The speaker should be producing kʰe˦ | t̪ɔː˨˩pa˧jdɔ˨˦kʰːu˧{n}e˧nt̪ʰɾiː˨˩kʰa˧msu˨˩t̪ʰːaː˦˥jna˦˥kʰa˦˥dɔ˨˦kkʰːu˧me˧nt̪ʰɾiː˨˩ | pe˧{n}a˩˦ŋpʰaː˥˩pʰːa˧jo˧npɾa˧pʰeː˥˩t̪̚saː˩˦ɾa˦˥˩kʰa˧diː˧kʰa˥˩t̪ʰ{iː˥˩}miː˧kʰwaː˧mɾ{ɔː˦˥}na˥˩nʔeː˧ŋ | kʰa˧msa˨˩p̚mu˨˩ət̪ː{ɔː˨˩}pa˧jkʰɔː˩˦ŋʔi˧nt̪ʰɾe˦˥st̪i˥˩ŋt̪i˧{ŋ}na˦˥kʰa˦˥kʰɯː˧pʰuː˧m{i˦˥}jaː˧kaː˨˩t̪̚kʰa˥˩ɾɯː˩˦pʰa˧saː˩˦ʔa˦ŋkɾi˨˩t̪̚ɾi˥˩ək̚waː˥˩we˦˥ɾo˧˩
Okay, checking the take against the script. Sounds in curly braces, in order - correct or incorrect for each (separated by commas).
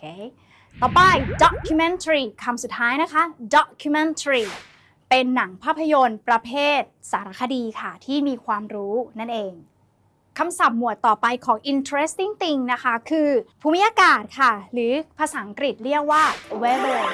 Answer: incorrect, incorrect, correct, incorrect, correct, correct, correct